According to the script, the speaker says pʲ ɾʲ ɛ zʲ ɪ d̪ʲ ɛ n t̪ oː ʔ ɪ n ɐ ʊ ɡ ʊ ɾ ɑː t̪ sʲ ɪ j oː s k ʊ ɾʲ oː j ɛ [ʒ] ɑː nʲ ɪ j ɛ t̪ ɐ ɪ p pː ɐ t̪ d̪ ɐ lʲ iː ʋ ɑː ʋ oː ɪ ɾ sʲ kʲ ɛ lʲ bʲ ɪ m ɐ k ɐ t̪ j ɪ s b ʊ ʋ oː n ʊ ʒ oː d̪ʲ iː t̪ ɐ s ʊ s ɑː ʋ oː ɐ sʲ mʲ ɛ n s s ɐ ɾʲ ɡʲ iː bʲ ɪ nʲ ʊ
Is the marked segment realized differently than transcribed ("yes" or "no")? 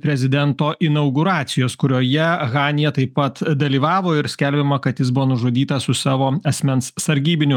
yes